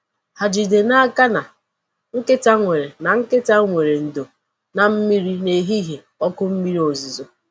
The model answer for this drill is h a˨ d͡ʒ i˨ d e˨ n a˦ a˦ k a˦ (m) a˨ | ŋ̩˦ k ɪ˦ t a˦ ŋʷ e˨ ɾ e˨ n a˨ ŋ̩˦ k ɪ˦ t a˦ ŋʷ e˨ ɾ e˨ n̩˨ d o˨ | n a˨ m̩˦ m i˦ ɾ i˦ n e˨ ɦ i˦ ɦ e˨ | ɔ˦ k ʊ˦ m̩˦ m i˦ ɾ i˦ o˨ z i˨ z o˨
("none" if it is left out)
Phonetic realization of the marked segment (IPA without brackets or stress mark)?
n